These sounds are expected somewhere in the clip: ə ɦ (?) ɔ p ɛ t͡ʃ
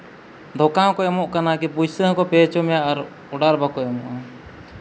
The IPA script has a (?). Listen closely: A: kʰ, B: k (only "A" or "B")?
B